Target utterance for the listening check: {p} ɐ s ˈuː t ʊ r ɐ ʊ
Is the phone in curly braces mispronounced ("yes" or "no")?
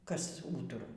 yes